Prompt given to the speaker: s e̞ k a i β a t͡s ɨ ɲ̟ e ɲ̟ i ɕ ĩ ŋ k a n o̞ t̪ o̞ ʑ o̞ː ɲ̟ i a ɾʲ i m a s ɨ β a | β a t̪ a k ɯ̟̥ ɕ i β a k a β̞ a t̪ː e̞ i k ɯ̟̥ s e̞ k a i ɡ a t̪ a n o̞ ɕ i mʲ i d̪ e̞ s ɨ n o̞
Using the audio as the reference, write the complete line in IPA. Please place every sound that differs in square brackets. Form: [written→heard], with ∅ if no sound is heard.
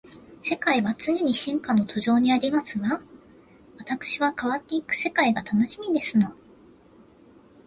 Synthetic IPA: s e̞ k a i β a t͡s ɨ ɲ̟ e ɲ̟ i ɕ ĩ ŋ k a n o̞ t̪ o̞ ʑ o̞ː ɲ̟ i a ɾʲ i m a s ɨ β a | β a t̪ a k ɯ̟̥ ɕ i β a k a β̞ a t̪ː e̞ i k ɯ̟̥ s e̞ k a i ɡ a t̪ a n o̞ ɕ i mʲ i d̪ e̞ s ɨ n o̞